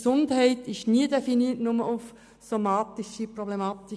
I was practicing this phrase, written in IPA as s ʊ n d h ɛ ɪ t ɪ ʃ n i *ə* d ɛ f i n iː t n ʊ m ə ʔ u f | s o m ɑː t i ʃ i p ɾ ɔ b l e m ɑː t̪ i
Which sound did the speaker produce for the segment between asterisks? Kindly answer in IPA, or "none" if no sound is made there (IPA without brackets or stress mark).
ə